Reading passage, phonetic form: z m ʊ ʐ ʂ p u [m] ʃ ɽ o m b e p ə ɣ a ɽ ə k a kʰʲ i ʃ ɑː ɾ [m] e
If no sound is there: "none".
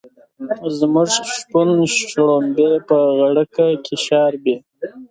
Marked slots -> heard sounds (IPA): n, b

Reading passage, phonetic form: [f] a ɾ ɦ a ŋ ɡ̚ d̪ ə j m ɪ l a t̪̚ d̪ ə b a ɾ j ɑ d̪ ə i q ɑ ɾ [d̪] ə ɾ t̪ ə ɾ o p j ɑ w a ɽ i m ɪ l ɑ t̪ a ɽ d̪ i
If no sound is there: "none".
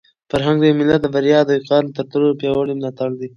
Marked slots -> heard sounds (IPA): f, t̪

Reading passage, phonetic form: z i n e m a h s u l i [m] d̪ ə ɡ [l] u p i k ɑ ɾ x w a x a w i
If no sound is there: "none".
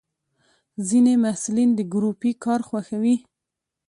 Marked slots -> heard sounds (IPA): n, ɾ

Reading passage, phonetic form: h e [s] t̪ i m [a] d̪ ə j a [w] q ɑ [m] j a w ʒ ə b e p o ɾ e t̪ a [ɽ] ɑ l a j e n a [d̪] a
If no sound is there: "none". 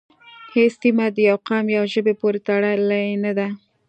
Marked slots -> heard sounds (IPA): s, a, w, m, ɽ, d̪

